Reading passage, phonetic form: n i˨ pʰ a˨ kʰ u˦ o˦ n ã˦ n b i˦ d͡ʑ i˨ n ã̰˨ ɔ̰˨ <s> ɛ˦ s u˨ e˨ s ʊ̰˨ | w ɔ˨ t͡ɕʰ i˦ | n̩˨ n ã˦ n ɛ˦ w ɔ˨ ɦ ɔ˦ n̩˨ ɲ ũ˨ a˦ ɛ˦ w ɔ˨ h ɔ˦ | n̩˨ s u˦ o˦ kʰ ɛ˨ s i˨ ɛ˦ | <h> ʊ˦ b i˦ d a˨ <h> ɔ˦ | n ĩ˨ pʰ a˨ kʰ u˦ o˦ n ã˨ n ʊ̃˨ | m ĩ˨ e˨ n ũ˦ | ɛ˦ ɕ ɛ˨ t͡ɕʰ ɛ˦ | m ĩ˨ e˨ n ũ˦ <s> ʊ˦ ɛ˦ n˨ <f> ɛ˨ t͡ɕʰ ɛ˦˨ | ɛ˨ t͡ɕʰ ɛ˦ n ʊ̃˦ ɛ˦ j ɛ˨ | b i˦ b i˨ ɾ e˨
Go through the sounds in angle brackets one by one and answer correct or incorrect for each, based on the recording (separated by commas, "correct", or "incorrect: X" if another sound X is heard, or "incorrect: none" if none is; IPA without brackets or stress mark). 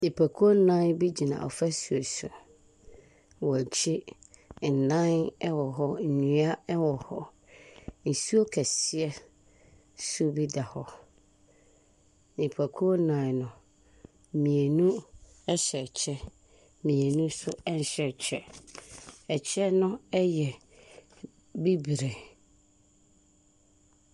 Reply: incorrect: f, incorrect: s, correct, correct, incorrect: ɕ